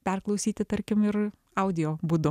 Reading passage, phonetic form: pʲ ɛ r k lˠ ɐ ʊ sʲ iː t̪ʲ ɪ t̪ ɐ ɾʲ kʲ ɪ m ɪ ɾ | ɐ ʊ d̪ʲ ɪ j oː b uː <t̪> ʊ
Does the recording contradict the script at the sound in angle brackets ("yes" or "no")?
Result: yes